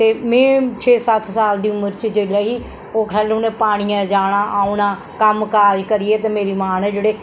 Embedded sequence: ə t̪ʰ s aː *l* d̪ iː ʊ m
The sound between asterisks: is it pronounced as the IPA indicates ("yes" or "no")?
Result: yes